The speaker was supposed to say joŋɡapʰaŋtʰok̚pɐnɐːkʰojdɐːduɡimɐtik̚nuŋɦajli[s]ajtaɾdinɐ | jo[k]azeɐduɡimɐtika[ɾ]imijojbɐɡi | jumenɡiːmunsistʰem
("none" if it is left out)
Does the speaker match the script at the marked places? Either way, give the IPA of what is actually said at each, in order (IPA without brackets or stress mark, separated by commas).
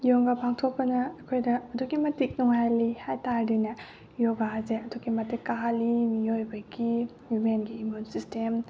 h, ɡ, l